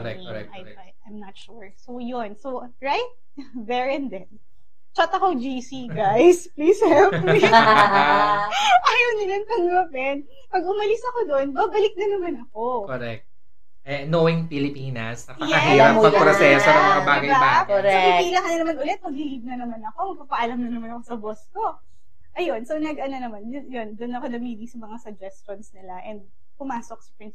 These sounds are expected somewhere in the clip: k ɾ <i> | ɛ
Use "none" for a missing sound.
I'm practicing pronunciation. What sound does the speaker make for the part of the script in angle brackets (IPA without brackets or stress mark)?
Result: ɛ